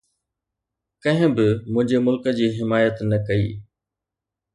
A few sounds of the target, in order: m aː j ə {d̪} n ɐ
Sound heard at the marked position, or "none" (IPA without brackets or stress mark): t̪